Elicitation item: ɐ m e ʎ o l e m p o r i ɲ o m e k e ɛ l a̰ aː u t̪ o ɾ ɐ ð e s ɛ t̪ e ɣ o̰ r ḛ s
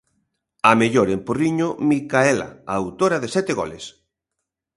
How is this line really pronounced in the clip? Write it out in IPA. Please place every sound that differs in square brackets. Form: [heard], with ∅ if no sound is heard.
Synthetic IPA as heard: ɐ m e ʎ o [ɾ] e m p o r i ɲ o m [i] k [a] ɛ l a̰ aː [w] t̪ o ɾ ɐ ð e s ɛ t̪ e ɣ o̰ [l] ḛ s